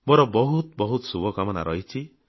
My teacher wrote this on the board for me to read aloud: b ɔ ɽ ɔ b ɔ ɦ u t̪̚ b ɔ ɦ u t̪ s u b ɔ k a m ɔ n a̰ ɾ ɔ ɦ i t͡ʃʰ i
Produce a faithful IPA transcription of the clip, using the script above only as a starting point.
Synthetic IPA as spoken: b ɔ ɾ ɔ b ɔ ɦ u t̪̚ b ɔ ɦ u t̪ s u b ɔ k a m ɔ n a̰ ɾ ɔ ɦ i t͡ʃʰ i